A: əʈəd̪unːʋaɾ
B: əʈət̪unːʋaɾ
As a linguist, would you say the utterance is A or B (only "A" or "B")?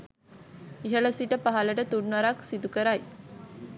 B